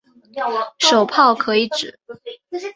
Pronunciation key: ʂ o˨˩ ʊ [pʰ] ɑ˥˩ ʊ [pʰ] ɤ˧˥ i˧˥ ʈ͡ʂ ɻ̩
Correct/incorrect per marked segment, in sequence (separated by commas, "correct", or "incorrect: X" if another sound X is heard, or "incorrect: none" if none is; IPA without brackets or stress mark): correct, incorrect: kʰ